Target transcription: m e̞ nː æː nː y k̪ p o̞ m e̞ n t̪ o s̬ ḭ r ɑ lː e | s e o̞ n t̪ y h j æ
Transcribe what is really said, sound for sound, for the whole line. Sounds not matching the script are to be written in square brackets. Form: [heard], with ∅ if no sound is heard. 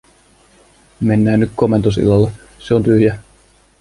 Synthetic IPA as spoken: m e̞ nː æː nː y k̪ [k] o̞ m e̞ n t̪ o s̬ ḭ [l] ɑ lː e | s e o̞ n t̪ y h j æ